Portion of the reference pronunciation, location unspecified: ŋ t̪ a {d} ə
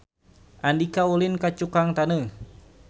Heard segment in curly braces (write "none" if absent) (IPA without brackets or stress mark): n